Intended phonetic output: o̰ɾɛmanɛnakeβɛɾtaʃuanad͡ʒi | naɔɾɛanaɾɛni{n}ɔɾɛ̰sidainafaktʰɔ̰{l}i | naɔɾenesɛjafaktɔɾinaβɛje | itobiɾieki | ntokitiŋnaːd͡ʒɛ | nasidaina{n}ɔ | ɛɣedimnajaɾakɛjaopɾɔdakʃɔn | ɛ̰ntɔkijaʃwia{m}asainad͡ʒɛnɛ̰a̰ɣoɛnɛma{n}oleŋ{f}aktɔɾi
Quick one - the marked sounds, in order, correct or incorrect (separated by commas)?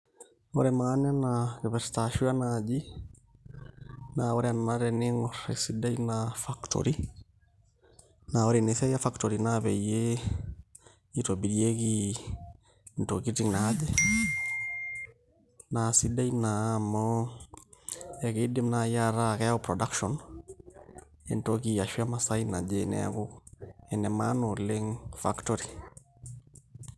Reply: incorrect, incorrect, incorrect, correct, correct, correct